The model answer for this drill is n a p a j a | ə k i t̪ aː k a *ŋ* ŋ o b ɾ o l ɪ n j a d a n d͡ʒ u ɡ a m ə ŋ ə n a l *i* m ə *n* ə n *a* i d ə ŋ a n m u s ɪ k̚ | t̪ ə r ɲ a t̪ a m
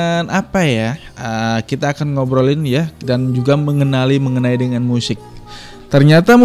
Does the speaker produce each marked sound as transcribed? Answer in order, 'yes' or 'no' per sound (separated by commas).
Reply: no, yes, no, yes